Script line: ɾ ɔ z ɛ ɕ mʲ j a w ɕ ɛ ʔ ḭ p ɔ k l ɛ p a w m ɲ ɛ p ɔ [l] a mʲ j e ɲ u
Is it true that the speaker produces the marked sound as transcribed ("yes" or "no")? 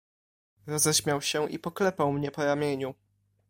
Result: no